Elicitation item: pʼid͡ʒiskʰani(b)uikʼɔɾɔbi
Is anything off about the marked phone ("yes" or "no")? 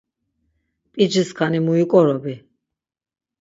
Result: yes